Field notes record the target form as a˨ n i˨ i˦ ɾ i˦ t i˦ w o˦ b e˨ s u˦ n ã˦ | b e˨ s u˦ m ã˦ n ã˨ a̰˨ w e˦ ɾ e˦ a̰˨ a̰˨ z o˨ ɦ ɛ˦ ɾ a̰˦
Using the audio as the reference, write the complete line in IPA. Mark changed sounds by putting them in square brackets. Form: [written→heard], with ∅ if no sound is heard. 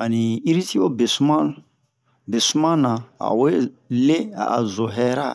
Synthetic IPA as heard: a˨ n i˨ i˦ ɾ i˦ t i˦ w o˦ b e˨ s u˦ [n→m] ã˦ | b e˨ s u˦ m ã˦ n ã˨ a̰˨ w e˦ [ɾ→l] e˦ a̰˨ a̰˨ z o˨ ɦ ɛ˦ ɾ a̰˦